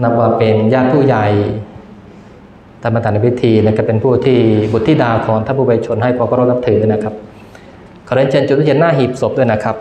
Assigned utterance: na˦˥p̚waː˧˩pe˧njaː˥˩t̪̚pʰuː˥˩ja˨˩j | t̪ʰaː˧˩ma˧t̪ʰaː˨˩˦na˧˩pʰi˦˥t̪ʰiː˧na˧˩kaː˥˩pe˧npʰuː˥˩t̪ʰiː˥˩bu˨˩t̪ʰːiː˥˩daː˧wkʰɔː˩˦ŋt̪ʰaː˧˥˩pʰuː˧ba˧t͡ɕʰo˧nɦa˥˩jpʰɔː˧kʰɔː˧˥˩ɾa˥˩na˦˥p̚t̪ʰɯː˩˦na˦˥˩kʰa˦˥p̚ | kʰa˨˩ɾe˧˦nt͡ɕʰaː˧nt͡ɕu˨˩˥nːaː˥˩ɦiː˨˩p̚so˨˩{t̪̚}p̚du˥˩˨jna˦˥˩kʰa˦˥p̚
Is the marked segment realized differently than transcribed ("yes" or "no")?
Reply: yes